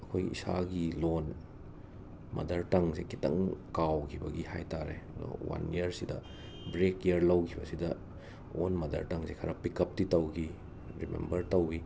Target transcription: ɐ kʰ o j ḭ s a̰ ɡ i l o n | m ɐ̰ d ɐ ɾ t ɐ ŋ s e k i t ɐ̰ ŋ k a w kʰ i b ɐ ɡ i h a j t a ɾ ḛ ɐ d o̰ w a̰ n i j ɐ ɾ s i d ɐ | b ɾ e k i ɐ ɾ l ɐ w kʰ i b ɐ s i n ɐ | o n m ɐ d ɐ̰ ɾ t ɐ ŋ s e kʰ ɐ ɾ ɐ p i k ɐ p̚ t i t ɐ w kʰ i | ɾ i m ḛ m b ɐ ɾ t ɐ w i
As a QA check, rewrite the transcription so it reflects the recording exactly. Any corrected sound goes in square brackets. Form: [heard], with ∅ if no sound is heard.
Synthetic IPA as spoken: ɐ kʰ o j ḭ s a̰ ɡ i l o n | m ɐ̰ d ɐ ɾ t ɐ ŋ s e k i t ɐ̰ ŋ k a w kʰ i b ɐ ɡ i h a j t a ɾ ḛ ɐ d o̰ w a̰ n i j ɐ ɾ s i d ɐ | b ɾ e k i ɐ ɾ l ɐ w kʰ i b ɐ s i [d] ɐ | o n m ɐ d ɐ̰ ɾ t ɐ ŋ s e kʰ ɐ ɾ ɐ p i k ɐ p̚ t i t ɐ w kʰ i | ɾ i m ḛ m b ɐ ɾ t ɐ w i